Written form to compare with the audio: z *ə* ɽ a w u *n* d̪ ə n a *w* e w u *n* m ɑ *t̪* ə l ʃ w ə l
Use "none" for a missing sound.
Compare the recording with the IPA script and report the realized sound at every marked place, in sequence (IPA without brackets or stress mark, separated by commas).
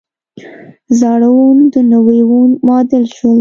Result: ɑ, n, w, n, d̪